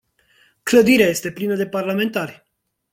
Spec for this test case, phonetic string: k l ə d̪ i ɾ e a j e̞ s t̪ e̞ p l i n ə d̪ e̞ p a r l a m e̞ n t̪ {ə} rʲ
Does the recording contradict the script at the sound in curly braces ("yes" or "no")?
yes